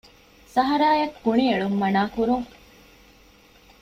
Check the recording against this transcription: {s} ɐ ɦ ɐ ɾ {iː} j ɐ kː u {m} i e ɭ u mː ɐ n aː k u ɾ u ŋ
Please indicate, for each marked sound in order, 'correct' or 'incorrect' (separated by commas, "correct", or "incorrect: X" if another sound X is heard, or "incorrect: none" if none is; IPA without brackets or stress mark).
correct, incorrect: aː, incorrect: ɳ